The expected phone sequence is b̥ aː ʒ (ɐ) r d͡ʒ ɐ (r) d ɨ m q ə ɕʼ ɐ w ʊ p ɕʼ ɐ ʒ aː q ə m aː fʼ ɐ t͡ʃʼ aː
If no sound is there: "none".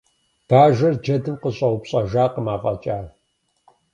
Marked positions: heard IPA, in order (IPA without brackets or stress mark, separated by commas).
ɐ, none